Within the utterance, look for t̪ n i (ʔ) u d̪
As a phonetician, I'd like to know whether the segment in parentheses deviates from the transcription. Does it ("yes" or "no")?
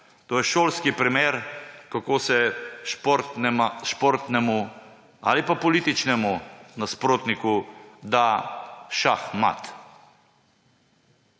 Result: yes